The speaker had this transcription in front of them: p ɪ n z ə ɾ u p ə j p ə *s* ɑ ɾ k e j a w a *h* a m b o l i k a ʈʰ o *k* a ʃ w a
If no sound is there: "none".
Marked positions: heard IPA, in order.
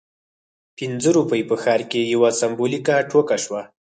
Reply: x, s, k

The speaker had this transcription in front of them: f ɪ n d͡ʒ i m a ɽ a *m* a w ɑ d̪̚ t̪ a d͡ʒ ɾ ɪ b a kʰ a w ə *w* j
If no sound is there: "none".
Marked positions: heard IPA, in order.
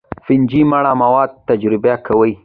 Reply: m, none

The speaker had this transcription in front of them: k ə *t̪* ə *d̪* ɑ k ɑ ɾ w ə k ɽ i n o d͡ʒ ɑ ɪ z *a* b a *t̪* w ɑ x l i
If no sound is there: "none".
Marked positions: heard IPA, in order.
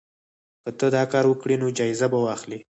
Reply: t̪, d̪, a, none

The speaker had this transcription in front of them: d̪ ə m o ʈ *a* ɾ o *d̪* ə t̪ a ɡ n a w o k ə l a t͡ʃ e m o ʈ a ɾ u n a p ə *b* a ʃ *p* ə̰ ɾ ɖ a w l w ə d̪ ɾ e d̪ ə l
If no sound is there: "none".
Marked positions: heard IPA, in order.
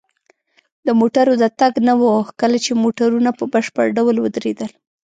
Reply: a, d̪, b, p

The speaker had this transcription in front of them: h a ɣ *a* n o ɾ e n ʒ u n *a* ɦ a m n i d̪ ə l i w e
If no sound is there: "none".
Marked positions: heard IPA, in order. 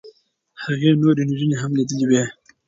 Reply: e, e

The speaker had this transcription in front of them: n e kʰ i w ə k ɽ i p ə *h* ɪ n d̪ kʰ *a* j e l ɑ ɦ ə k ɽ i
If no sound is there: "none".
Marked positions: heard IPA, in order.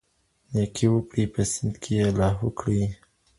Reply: s, e

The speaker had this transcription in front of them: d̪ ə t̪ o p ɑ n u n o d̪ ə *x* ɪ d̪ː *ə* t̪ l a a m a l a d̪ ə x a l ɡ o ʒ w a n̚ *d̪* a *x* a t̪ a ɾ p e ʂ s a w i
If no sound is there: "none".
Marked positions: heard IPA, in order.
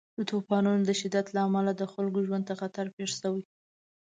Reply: ʃ, a, t̪, x

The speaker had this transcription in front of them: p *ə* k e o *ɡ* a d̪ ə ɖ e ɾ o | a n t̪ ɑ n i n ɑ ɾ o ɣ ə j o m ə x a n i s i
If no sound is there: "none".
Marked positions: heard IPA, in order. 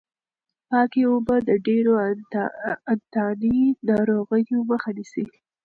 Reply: ɑ, b

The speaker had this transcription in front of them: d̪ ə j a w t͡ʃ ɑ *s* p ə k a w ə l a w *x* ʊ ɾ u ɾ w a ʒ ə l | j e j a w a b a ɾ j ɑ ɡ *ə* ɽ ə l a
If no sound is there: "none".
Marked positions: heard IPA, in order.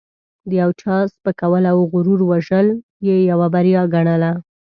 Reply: s, ɣ, a

